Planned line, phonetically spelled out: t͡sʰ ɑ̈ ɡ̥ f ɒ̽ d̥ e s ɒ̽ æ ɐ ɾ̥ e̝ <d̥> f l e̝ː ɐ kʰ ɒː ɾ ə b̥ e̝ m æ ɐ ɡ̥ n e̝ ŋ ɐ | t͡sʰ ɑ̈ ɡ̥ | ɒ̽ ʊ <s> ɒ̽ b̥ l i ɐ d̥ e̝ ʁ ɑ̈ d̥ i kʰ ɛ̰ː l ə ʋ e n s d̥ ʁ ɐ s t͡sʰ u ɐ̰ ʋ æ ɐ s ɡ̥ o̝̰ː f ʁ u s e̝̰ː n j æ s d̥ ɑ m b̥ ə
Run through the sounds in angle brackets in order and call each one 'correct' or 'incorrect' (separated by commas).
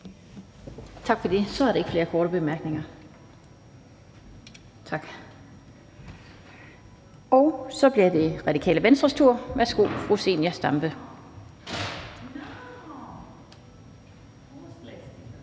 incorrect, correct